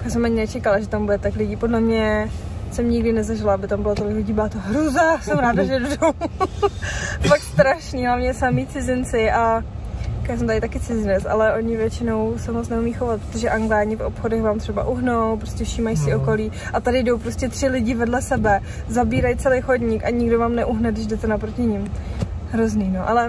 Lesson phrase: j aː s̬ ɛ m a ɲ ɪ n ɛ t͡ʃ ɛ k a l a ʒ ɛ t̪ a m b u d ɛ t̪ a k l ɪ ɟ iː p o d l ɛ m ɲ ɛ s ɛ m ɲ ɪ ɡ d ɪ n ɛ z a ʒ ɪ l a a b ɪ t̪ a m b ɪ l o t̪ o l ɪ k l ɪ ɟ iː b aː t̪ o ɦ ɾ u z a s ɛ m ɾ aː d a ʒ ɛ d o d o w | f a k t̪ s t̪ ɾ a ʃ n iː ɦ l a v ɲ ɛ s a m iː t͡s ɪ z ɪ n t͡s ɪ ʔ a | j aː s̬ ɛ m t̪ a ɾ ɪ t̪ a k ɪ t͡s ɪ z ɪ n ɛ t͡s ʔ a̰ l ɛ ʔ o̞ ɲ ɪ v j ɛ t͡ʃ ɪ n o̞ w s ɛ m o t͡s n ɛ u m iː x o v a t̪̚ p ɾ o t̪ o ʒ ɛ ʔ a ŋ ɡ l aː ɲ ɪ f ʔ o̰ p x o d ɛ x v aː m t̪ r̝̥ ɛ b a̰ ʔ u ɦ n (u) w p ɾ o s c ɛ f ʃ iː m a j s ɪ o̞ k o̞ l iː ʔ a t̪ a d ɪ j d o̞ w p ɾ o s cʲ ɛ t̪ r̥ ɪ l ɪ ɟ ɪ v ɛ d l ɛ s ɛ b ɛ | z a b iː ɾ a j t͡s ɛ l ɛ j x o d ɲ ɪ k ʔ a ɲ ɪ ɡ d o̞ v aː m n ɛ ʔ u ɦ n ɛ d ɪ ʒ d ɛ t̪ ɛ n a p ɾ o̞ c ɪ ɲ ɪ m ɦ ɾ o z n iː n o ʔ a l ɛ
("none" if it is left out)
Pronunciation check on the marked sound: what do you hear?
o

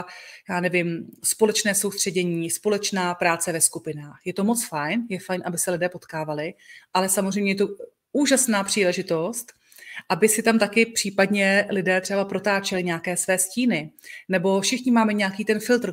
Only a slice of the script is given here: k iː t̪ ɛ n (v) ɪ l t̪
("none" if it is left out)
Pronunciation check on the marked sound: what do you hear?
f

